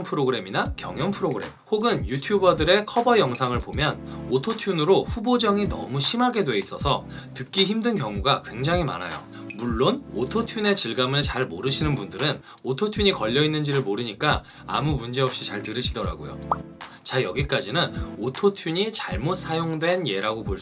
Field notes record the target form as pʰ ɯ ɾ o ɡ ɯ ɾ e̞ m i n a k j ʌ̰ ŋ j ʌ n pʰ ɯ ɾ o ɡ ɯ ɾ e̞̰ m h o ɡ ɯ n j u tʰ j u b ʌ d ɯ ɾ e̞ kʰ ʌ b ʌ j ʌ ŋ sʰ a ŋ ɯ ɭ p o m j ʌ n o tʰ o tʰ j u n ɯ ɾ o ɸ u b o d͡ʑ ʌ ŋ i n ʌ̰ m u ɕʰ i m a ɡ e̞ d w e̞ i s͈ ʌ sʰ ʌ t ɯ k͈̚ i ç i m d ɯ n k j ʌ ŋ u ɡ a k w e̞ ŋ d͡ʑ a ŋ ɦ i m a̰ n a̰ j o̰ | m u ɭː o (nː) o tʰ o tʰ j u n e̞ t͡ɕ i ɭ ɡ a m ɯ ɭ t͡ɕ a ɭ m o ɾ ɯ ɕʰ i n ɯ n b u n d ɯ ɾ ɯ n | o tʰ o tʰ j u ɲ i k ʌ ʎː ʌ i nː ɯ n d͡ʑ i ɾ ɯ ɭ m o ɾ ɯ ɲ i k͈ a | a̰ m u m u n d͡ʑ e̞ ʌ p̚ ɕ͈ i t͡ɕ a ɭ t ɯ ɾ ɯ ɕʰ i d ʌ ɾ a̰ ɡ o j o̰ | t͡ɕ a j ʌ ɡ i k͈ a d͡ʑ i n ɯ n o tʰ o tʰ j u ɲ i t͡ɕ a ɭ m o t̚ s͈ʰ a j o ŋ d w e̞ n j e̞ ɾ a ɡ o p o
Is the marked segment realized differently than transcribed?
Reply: yes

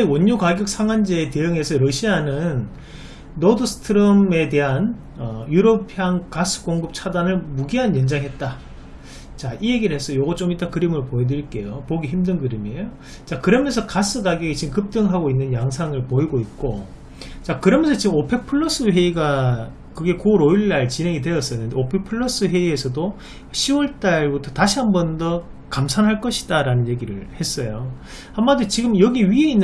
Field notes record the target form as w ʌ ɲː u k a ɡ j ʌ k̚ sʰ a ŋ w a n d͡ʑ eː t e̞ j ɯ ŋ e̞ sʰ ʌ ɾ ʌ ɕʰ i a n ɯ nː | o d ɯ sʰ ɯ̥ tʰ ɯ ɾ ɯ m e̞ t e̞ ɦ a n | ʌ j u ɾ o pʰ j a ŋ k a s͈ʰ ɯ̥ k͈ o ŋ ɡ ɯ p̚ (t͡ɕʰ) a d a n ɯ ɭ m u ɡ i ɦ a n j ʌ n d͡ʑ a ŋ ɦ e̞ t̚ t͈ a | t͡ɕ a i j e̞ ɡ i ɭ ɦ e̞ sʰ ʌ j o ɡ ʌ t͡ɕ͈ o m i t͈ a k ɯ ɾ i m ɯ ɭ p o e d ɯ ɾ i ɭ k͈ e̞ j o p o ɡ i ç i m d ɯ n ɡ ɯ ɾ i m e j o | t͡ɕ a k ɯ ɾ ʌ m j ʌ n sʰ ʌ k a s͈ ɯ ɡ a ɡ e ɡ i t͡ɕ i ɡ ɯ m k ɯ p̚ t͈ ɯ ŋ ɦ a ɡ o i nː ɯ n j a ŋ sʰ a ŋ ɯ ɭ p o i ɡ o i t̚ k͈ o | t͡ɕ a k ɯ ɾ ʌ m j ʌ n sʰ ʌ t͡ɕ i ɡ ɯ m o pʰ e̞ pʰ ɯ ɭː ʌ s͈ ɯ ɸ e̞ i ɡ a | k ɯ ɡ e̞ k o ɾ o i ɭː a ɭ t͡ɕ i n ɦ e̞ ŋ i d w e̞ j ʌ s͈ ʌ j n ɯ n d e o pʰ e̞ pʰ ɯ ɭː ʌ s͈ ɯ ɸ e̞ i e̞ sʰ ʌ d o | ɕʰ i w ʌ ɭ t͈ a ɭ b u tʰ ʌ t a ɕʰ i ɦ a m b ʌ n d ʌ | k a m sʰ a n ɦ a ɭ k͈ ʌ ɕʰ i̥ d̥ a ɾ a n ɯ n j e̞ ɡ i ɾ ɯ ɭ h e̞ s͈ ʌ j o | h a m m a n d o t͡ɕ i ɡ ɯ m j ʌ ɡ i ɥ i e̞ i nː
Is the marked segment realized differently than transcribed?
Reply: no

